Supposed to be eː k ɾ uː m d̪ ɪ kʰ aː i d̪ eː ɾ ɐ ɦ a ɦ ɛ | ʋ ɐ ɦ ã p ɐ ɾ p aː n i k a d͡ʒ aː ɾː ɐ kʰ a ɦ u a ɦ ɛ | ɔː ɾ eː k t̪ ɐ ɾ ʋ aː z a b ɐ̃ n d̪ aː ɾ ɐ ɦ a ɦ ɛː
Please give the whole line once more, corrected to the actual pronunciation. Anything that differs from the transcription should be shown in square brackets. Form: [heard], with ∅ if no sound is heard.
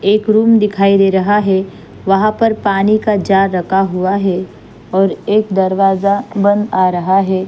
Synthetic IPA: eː k ɾ uː m d̪ ɪ kʰ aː i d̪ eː ɾ ɐ ɦ a ɦ ɛ | ʋ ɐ ɦ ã p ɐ ɾ p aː n i k a d͡ʒ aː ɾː ɐ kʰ a ɦ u a ɦ ɛ | ɔː ɾ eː k [d̪] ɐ ɾ ʋ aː z a b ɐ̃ n d̪ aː ɾ ɐ ɦ a ɦ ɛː